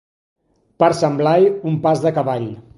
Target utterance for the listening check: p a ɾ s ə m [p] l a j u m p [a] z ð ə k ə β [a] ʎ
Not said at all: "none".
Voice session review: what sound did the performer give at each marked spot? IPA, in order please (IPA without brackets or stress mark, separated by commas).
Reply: b, a, a